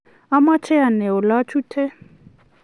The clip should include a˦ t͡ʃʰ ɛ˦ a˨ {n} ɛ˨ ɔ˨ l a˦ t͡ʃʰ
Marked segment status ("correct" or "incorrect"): correct